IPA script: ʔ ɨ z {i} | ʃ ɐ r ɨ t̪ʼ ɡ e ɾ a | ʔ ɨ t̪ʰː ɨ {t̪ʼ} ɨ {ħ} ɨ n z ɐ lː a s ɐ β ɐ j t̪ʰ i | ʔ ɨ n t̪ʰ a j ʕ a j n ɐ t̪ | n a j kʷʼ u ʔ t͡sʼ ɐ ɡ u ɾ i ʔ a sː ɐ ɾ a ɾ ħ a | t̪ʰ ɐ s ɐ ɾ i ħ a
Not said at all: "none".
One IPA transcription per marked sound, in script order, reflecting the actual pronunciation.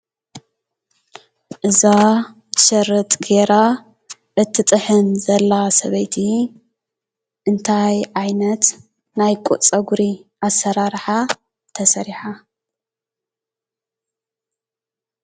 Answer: a, t̪ʼ, ħ

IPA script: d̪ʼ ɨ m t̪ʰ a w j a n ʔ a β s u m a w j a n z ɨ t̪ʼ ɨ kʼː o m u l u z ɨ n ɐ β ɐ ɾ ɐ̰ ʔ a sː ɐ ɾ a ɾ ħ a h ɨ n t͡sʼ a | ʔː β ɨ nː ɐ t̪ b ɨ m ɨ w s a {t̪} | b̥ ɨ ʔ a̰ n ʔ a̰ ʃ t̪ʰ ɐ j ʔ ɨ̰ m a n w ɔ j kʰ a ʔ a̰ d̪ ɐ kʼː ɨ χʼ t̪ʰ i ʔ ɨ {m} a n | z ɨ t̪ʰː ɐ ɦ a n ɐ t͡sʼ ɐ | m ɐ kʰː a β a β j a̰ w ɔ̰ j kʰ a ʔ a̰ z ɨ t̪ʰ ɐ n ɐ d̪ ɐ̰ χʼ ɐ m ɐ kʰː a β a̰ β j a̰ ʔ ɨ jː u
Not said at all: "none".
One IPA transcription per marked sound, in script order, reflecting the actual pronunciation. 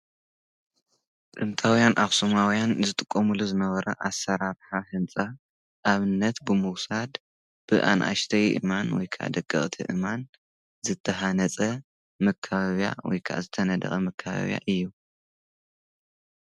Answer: d̪, m

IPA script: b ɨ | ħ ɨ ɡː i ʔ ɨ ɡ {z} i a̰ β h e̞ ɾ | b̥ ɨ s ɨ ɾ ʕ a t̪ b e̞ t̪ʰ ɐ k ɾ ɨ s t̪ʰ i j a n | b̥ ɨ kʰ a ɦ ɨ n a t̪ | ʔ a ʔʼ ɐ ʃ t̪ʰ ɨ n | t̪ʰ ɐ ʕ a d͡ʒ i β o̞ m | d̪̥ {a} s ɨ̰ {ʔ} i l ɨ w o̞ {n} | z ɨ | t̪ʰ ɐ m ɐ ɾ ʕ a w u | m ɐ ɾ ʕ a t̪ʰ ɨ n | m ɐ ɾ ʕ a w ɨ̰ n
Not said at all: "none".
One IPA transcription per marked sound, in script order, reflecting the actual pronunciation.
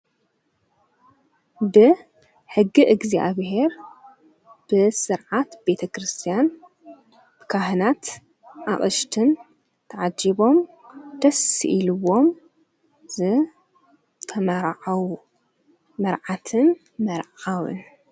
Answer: z, ɐ, ʔ, m

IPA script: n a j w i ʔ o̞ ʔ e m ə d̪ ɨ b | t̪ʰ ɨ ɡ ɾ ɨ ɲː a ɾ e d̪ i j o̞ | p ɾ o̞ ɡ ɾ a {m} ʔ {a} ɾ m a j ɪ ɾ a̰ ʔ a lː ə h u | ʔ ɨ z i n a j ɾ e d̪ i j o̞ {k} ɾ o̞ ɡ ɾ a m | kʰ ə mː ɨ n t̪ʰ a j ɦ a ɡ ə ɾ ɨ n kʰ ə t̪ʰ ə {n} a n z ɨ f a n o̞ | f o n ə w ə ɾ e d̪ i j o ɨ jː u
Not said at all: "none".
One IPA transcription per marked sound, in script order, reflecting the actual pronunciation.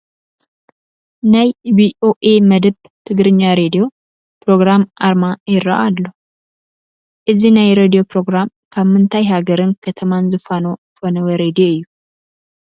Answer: m, a, p, m

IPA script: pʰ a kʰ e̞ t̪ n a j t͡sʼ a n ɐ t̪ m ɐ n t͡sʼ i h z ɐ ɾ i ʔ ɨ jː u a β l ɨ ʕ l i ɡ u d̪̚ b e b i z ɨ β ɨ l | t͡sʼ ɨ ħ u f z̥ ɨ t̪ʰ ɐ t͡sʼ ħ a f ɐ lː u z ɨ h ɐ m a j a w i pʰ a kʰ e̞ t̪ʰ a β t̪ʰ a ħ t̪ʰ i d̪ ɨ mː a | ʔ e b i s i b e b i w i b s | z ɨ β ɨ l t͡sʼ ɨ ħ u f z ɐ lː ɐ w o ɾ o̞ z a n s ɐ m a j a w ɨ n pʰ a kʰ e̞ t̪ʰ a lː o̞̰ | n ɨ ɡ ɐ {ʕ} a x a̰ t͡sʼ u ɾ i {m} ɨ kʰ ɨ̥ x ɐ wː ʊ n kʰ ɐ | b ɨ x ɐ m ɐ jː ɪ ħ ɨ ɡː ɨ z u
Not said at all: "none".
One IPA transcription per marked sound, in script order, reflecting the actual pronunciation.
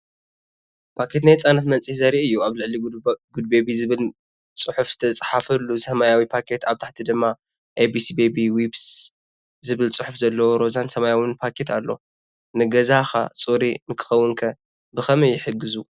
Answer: z, n

